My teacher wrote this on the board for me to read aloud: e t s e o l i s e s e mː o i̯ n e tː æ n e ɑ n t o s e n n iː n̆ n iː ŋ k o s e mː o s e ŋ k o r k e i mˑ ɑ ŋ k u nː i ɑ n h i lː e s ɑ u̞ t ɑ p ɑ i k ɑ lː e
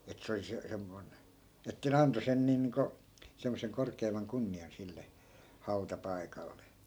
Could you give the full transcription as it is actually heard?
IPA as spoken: e t s e o l i s e s e mː o i̯ n e tː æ n e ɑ n t o s e n n iː n̆ n iː ŋ k o s e mː o s e ŋ k o r k e i mˑ ɑ ŋ k u nː i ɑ n s i lː e h ɑ u̞ t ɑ p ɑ i k ɑ lː e